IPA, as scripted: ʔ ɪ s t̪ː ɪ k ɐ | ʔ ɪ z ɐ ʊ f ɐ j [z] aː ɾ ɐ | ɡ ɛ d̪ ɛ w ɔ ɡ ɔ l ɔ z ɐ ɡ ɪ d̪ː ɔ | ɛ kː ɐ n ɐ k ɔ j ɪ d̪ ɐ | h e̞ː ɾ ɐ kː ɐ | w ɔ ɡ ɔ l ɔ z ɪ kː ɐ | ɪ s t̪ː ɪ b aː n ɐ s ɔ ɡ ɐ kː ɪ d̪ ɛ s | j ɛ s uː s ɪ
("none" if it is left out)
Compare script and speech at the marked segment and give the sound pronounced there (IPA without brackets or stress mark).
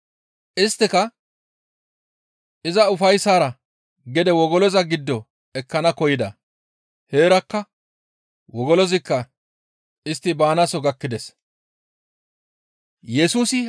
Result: s